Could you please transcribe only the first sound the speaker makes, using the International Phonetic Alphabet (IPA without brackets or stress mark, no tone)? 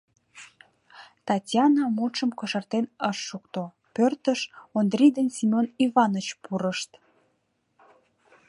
t̪